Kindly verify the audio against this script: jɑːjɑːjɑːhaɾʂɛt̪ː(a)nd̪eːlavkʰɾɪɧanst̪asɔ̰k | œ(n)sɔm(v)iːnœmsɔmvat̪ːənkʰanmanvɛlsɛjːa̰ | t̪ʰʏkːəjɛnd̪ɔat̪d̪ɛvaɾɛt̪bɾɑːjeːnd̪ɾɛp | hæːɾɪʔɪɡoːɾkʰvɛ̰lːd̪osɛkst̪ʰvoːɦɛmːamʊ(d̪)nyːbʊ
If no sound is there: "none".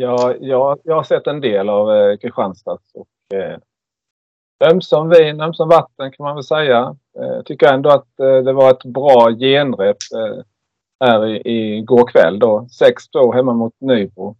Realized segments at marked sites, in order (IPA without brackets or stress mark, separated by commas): ɛ, m, v, t̪